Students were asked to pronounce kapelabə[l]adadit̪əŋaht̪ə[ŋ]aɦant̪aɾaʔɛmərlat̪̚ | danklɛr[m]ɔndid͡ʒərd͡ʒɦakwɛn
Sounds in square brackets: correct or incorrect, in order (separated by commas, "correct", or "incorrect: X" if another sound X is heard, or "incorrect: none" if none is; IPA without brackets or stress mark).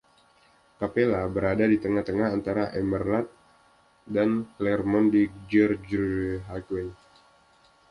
incorrect: ɾ, correct, correct